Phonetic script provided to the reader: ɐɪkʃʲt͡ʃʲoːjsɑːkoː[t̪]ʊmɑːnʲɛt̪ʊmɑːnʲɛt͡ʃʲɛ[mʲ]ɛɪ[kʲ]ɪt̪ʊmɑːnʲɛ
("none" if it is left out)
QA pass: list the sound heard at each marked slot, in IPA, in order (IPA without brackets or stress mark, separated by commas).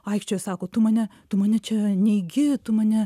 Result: t̪, nʲ, ɡʲ